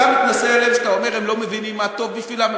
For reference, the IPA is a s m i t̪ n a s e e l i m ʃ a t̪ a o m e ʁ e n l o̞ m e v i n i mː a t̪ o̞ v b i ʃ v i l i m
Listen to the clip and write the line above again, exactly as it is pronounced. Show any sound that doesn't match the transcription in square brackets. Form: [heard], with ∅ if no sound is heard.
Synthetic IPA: a [∅] m i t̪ n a s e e l [e] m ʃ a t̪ a o m e ʁ e [m] l o̞ m e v i n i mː a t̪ o̞ v b i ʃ v i l [a] m